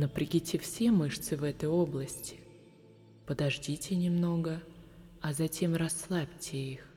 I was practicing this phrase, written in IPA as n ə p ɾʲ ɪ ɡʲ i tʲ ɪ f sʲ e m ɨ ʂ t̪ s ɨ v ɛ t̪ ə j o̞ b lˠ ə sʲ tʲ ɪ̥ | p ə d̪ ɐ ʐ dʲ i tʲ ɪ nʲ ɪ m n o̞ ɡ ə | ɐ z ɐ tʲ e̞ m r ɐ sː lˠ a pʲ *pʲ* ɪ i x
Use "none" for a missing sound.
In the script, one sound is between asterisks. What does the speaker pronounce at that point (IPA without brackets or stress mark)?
tʲ